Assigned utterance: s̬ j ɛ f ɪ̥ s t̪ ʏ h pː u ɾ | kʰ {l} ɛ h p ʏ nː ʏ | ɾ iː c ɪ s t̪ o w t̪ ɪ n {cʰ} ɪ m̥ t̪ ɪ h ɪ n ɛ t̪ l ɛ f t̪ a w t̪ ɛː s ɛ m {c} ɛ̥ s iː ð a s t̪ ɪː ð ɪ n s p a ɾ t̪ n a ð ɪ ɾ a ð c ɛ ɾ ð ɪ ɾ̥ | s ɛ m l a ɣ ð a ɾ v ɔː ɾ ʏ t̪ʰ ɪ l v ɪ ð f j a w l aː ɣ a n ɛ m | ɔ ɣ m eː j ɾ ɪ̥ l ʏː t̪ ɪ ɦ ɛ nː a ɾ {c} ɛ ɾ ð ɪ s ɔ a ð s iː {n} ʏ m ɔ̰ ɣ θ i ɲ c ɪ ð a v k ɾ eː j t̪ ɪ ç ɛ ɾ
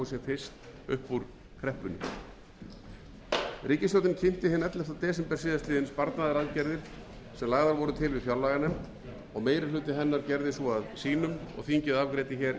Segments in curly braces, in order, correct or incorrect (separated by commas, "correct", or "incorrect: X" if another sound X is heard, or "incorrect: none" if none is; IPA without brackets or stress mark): incorrect: ɾ, correct, incorrect: p, correct, correct